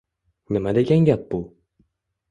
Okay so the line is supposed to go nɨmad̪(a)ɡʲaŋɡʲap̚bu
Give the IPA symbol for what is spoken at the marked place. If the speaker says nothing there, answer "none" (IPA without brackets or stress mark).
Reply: e